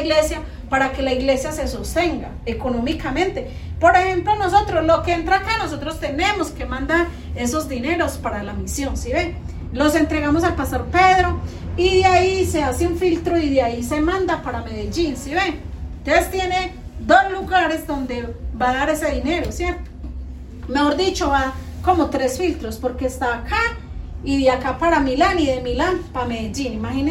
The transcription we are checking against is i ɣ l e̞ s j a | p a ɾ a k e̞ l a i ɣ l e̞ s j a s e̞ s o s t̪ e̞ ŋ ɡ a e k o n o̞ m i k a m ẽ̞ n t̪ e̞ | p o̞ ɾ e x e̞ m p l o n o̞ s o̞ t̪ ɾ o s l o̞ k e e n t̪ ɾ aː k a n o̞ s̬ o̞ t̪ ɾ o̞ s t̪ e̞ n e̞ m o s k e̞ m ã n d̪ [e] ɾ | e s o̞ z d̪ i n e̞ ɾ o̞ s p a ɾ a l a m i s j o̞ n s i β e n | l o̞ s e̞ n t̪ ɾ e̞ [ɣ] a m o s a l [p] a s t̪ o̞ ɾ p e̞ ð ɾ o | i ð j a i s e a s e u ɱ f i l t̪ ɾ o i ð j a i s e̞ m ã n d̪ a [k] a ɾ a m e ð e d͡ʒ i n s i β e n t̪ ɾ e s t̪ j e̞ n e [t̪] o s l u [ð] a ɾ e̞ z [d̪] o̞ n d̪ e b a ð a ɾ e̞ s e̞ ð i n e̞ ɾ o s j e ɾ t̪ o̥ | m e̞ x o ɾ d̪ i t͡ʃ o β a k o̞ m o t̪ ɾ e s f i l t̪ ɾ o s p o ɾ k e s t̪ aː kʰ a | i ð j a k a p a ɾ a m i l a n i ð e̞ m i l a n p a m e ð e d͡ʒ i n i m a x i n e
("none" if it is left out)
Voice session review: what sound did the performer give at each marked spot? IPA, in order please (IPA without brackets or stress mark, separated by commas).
a, ɣ, p, p, d̪, ɣ, d̪